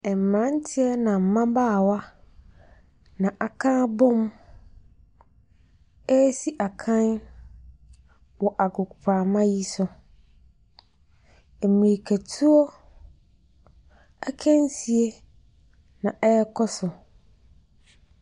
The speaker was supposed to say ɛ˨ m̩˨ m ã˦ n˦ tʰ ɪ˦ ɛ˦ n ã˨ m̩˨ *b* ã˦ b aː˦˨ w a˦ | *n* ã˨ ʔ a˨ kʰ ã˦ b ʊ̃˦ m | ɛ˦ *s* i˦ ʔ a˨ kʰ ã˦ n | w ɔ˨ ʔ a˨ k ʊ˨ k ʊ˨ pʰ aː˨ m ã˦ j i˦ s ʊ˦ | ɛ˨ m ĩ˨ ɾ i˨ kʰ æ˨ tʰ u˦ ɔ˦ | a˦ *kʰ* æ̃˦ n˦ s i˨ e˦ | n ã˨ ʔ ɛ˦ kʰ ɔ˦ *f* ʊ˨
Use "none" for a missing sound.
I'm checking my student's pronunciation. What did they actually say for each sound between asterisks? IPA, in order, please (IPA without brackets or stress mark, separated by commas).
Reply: m, n, s, kʰ, s